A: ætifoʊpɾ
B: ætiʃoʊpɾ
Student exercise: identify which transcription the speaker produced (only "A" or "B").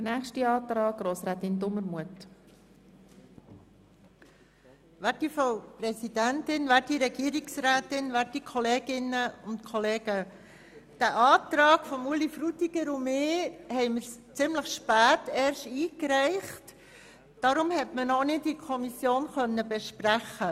A